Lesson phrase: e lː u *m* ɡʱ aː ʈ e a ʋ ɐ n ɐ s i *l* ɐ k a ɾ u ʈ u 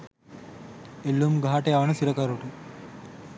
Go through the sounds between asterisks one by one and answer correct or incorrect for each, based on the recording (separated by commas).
correct, incorrect